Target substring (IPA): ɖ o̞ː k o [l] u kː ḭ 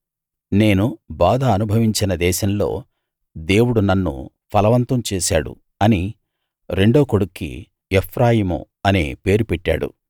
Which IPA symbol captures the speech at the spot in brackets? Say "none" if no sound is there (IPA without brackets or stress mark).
ɽ